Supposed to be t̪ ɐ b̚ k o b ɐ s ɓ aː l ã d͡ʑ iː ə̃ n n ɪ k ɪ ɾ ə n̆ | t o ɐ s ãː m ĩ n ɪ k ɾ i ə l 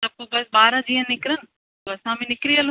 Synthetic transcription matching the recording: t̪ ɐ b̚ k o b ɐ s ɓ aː ɾ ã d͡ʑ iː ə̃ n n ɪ k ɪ ɾ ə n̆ | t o ɐ s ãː m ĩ n ɪ k ɾ i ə l